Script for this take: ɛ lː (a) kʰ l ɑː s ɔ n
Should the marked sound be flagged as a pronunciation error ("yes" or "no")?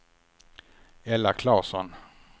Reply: no